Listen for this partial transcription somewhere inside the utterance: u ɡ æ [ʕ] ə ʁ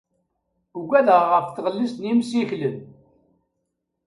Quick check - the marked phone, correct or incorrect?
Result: incorrect